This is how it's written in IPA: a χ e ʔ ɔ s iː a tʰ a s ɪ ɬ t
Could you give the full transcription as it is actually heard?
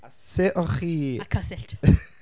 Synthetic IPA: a s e ʔ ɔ χ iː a kʰ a s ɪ ɬ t

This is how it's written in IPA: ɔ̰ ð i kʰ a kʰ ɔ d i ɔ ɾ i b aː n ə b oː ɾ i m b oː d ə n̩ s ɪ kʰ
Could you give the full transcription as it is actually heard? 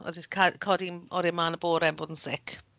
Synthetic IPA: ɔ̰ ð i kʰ a kʰ ɔ d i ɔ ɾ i m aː n ə b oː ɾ ɛ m b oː d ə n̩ s ɪ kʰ

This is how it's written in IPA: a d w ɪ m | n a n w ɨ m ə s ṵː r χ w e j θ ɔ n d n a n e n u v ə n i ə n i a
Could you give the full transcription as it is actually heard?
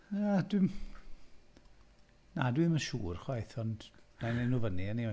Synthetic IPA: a d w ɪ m | n a d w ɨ m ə ʃ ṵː r χ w a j θ ɔ n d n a n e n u v ə n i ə n i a

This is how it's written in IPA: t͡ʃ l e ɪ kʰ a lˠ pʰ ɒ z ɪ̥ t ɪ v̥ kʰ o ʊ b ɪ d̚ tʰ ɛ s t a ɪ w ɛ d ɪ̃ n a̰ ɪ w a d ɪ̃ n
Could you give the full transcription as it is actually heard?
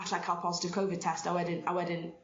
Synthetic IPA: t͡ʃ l a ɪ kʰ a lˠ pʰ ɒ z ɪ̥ t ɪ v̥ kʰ o ʊ v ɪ d̚ tʰ ɛ s t a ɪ w ɛ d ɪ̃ n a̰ ɪ w ɛ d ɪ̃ n

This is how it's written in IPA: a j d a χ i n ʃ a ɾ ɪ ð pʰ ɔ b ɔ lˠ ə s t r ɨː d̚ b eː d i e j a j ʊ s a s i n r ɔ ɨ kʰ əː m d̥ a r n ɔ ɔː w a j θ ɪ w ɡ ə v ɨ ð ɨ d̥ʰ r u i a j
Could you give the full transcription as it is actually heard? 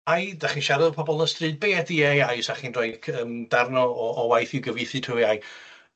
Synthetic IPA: a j d a χ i n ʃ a ɾ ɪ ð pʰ ɔ b ɔ lˠ ə s t r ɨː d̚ b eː d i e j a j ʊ s a χ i n r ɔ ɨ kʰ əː m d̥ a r n ɔ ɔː w a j θ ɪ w ɡ ə v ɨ θ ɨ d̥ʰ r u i a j

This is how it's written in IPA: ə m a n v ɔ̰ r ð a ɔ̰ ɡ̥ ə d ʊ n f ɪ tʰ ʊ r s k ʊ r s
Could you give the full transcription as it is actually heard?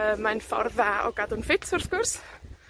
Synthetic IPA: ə m a n f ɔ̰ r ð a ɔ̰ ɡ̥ a d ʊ n f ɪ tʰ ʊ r θ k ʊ r s

